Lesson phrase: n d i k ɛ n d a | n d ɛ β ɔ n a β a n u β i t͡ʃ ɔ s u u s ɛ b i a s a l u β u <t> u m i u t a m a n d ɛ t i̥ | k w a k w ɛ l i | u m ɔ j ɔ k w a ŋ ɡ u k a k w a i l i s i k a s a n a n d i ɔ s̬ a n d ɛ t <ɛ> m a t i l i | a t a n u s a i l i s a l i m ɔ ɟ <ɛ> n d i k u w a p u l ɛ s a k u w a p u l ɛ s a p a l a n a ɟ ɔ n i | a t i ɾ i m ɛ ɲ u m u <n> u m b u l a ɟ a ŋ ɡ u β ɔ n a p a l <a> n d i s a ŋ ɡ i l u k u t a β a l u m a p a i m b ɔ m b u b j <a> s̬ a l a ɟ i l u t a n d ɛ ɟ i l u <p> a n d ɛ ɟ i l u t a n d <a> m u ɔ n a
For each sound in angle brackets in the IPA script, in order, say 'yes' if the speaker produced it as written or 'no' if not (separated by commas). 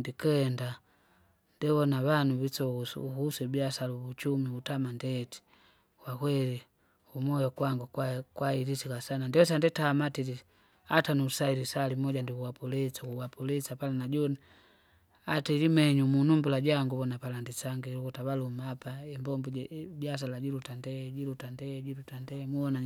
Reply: no, no, no, yes, yes, yes, no, no